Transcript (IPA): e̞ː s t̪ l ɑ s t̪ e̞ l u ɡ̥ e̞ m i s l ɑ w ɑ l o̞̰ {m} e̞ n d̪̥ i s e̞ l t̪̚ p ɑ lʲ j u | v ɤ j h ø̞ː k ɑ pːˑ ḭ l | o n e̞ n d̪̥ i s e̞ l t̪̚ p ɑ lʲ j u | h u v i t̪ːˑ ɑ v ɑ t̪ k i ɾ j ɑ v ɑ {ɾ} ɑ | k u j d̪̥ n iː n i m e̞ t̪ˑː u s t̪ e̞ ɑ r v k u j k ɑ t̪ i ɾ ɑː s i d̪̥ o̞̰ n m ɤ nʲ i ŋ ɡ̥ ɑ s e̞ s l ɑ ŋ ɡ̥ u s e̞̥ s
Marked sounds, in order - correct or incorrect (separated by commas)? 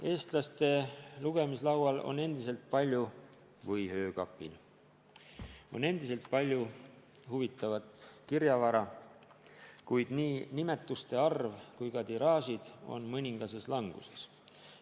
incorrect, correct